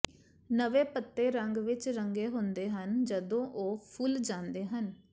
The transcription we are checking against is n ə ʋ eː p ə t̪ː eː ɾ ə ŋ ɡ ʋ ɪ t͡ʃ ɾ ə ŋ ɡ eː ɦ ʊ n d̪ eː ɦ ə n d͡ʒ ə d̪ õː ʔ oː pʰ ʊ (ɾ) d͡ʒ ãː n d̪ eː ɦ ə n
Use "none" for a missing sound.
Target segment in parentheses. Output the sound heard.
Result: l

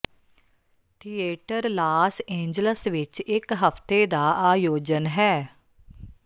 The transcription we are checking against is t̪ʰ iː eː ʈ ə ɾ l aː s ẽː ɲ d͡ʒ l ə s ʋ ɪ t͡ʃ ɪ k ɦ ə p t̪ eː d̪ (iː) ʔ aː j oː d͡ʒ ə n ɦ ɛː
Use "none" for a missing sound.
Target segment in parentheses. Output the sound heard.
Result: aː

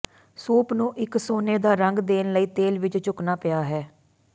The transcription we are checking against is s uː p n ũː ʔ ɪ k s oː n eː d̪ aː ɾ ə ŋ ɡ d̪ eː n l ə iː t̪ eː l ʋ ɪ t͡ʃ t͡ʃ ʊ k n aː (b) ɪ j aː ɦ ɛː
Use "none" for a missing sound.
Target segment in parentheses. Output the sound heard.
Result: p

